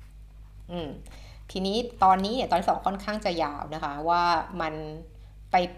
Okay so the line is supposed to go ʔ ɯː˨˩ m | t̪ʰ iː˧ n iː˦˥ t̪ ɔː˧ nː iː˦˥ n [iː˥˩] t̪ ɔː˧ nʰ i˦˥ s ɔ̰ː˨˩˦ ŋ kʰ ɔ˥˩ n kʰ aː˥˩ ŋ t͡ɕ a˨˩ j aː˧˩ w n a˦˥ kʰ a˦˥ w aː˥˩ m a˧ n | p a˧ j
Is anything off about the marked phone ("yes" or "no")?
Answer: yes